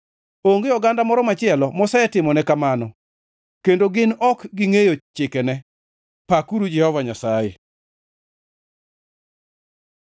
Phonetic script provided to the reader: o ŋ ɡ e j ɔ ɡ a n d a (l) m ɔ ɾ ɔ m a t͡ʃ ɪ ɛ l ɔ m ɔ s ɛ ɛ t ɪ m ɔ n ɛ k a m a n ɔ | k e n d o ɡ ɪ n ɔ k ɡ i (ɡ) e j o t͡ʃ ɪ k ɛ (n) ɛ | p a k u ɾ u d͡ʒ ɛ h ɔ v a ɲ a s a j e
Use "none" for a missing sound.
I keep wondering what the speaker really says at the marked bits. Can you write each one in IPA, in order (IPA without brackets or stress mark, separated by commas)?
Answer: none, ŋ, n